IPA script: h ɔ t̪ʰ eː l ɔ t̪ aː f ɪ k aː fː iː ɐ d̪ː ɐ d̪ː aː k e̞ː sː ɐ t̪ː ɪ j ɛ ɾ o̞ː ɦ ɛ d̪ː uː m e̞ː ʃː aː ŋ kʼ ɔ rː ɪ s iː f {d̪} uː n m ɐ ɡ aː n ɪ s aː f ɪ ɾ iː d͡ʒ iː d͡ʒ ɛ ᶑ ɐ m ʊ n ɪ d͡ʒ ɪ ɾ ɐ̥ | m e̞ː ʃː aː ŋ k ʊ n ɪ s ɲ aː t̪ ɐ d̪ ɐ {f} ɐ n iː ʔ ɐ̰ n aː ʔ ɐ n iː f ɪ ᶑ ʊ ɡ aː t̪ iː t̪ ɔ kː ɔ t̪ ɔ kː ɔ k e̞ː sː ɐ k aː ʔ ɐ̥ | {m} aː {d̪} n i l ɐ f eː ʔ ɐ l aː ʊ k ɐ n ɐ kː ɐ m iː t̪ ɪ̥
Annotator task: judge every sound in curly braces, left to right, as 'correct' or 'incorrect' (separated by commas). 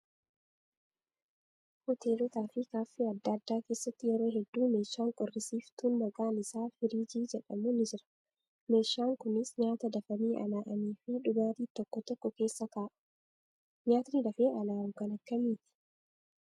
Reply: incorrect, correct, incorrect, incorrect